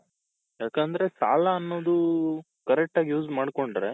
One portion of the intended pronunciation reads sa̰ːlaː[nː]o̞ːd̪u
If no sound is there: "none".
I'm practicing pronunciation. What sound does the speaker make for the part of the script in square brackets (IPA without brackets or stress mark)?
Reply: nː